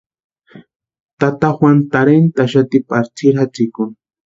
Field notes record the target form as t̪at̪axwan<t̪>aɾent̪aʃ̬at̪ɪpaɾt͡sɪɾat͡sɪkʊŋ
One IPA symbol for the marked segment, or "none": t̪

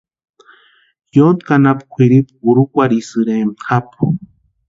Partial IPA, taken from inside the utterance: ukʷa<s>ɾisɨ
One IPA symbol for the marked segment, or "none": none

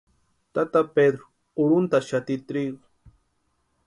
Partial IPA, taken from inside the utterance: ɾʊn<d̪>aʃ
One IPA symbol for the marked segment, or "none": t̪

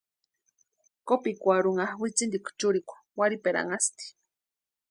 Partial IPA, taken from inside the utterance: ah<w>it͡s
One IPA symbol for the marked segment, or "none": w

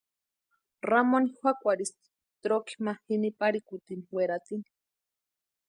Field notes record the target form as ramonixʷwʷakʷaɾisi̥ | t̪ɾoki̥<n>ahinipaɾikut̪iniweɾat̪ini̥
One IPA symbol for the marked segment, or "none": m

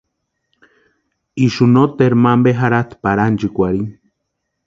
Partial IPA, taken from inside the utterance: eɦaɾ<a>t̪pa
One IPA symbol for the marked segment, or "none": a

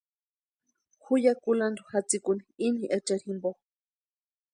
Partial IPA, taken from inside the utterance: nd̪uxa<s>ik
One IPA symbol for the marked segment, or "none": t͡s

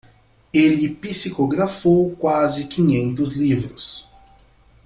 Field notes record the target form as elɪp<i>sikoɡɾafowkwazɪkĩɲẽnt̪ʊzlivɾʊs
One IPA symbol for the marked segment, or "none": i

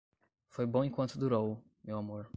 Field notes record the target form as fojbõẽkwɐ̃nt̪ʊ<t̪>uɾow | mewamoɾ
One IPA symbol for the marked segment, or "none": d̪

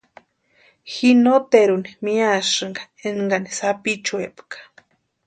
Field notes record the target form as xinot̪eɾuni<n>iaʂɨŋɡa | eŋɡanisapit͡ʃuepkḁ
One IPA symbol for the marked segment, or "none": m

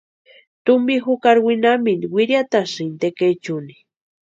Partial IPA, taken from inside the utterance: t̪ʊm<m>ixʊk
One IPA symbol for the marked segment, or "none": b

